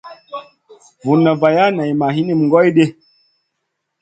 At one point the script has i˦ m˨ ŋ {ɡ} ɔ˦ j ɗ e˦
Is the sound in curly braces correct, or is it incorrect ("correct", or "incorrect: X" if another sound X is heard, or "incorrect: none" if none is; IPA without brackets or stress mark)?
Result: correct